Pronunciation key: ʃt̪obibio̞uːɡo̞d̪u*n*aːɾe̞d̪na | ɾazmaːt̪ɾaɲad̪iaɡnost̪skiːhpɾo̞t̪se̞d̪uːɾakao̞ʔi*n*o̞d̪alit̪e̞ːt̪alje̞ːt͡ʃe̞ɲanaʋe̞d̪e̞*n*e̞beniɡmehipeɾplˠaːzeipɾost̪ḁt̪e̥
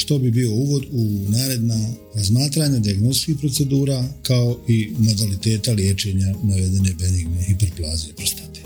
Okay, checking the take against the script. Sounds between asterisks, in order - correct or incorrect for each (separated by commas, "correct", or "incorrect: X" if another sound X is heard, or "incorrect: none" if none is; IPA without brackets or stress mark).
correct, incorrect: m, correct